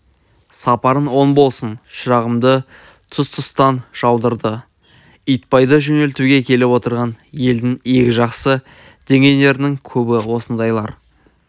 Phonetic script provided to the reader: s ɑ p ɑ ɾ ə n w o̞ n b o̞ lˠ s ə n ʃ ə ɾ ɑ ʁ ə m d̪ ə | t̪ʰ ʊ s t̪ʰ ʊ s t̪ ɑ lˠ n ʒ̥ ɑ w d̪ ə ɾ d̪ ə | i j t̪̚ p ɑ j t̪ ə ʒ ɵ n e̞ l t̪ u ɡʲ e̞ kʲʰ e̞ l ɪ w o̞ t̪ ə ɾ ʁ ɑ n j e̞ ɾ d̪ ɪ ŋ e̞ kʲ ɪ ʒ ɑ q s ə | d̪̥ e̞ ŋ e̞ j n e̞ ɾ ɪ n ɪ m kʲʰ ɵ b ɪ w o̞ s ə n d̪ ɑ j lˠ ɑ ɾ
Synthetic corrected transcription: s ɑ p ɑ ɾ ə n w o̞ n b o̞ lˠ s ə n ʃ ə ɾ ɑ ʁ ə m d̪ ə | t̪ʰ ʊ s t̪ʰ ʊ s t̪ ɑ n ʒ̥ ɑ w d̪ ə ɾ d̪ ə | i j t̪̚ p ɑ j d̪ ə ʒ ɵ n e̞ l t̪ u ɡʲ e̞ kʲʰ e̞ l ɪ w o̞ t̪ ə ɾ ʁ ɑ n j e̞ l d̪ ɪ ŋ e̞ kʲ ɪ ʒ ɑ q s ə | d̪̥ e̞ ŋ e̞ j n e̞ ɾ ɪ n ɪ ŋ kʲʰ ɵ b ɪ w o̞ s ə n d̪ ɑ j lˠ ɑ ɾ